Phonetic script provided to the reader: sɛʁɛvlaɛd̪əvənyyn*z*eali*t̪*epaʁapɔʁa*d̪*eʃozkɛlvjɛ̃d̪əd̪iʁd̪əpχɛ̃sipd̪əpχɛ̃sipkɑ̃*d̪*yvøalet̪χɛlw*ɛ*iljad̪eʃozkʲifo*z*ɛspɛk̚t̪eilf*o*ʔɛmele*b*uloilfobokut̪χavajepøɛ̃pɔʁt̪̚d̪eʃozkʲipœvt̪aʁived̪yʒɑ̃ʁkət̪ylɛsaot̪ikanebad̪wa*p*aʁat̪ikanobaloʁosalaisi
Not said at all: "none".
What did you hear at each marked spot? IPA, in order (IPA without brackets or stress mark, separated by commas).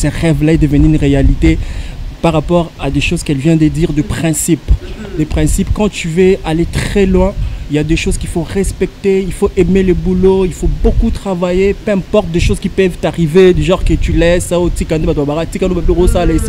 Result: ʁ, t̪, d̪, t̪, ɛ̃, ʁ, o, b, b